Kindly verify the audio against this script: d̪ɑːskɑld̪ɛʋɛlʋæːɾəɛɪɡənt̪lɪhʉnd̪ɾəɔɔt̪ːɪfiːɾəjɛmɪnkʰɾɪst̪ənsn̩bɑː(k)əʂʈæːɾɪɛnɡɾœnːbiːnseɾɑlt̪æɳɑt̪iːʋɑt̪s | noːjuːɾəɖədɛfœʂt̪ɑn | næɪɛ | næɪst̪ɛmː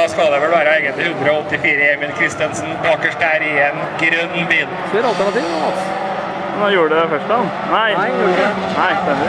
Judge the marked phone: correct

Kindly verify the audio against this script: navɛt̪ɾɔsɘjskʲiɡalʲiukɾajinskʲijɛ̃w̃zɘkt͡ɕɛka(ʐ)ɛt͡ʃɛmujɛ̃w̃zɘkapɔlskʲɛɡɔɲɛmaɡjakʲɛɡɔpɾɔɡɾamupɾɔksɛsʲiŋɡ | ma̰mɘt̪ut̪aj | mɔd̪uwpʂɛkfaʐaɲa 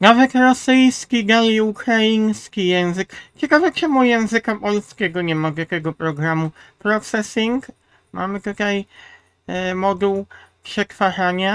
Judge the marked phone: incorrect: v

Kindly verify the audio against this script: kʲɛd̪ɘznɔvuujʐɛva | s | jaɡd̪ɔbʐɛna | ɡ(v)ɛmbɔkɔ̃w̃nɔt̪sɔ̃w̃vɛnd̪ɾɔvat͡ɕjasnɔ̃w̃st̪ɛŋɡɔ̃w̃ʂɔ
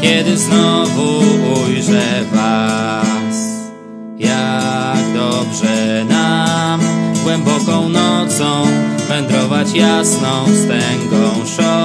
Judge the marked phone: incorrect: w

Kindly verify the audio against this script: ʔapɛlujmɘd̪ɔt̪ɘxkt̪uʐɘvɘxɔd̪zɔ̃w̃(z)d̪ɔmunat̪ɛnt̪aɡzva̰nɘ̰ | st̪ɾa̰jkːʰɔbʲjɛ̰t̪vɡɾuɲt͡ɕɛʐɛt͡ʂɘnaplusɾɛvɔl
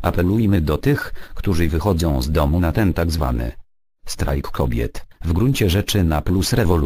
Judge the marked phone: correct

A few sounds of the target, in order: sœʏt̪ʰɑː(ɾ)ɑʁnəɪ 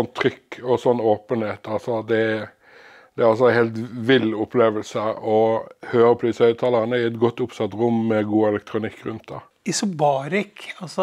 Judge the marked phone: incorrect: l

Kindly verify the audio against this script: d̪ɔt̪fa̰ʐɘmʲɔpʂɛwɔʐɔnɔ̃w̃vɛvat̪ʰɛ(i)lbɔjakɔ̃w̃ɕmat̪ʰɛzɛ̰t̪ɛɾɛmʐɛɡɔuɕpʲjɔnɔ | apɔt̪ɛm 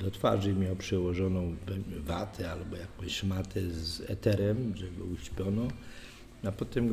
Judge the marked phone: incorrect: a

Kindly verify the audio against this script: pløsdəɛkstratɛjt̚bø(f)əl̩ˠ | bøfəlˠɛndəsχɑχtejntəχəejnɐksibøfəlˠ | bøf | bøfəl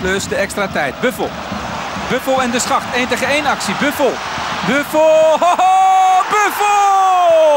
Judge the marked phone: correct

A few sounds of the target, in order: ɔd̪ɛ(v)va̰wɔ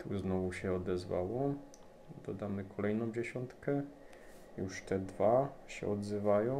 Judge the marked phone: incorrect: z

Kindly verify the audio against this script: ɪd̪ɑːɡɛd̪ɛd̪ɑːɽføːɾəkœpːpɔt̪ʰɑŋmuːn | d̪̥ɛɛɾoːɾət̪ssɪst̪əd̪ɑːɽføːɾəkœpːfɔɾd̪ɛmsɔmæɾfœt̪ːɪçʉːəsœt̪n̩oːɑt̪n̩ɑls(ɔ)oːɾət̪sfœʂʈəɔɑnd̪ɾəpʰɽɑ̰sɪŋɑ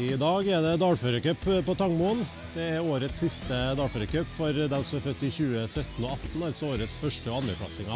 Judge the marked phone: correct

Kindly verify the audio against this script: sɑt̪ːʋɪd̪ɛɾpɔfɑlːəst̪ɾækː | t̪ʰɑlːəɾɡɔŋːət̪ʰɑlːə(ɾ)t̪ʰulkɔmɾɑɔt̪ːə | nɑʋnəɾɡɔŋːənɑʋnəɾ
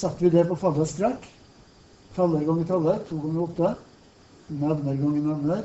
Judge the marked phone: correct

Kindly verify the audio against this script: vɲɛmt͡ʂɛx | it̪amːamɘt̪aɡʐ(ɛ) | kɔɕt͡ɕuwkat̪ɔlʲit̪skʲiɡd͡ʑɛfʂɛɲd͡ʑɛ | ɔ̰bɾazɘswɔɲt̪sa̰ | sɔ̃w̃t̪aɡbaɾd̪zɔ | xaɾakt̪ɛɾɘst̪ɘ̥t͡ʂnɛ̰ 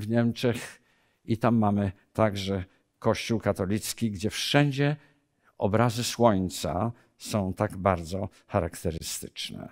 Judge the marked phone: correct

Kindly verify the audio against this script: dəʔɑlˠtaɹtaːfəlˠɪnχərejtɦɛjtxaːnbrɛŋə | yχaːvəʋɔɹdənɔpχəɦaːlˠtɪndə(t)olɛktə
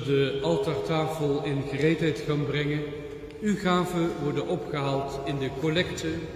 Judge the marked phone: incorrect: k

